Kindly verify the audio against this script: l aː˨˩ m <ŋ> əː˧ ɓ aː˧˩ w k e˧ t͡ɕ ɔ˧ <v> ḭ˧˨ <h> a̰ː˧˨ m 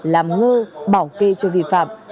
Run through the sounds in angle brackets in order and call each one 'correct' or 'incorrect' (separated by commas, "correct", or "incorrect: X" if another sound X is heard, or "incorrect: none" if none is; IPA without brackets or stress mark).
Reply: correct, correct, incorrect: f